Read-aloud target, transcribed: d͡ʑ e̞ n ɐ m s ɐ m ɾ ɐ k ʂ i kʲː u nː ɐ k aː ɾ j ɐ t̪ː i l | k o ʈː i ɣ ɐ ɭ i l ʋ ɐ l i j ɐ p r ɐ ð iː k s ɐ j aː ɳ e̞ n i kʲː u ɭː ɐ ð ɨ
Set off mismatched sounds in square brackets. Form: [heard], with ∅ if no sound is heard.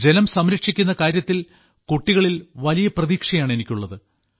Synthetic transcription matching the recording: d͡ʑ e̞ n ɐ m s ɐ m ɾ ɐ k ʂ i kʲː u nː ɐ k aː ɾ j ɐ t̪ː i l | k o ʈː i ɣ ɐ ɭ i l ʋ ɐ l i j ɐ p r ɐ ð iː k [ʂ] ɐ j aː ɳ e̞ n i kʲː u ɭː ɐ ð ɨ